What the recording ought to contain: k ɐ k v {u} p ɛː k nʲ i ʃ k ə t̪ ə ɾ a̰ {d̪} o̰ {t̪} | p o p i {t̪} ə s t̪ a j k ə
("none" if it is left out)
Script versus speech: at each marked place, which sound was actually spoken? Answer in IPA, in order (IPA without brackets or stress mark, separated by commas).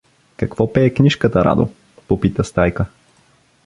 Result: ɔ, d̪, none, t̪